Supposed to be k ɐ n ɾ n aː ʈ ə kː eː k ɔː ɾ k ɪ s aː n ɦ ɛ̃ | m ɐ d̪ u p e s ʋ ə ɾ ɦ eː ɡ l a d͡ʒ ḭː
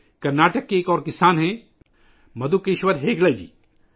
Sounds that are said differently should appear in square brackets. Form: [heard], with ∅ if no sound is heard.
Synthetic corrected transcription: k ɐ [∅] ɾ n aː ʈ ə kː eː k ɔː ɾ k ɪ s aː n ɦ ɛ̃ | m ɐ d̪ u [k] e [ʃ] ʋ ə ɾ ɦ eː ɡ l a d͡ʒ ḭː